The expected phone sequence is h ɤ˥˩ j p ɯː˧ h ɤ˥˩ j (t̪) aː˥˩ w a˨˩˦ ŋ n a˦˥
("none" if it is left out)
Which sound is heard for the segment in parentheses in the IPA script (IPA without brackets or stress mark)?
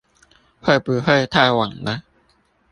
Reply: t̪ʰ